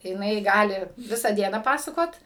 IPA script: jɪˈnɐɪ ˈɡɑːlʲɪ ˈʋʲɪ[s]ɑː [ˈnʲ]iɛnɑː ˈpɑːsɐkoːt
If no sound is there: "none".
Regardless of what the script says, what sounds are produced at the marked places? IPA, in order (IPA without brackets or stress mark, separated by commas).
s, dʲ